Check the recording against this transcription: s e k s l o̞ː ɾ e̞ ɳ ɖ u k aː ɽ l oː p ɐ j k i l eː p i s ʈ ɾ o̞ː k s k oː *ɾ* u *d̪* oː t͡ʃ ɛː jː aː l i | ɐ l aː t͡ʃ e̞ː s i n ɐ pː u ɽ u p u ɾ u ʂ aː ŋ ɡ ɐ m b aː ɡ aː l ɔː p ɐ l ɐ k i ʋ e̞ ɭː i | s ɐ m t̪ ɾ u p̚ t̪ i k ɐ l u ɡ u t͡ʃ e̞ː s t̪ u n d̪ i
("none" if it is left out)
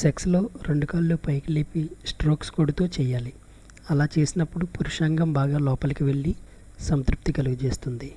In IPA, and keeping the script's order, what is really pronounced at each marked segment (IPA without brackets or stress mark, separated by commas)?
ɽ, t̪